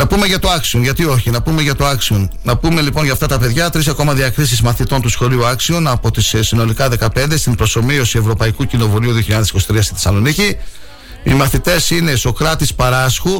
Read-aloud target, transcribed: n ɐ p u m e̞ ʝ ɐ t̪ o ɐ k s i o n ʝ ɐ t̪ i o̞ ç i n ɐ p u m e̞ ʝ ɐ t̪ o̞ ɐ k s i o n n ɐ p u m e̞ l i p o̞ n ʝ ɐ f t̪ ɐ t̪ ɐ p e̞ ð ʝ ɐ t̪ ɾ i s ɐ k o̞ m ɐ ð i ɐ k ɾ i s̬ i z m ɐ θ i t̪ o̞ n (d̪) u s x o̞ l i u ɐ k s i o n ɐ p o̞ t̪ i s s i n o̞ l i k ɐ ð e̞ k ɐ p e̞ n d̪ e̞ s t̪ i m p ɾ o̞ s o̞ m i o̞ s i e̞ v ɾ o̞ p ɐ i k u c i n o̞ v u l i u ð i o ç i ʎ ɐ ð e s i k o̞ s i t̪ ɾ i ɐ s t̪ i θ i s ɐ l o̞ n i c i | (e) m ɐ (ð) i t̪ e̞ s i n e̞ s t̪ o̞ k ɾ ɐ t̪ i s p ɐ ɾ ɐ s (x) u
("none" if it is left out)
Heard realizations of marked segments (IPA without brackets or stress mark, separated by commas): t̪, i, θ, x